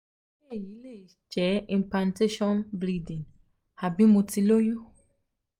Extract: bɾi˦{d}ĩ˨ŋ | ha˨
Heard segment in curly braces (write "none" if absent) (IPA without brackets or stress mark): d